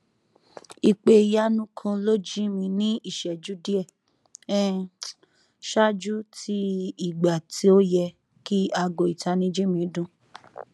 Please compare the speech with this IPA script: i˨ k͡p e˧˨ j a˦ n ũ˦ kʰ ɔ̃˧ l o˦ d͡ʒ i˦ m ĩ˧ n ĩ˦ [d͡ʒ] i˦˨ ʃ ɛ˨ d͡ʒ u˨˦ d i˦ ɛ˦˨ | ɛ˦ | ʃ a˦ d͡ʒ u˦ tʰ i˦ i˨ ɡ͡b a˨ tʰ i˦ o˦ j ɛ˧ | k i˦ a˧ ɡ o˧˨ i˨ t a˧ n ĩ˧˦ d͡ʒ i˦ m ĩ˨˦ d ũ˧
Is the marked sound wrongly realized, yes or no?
yes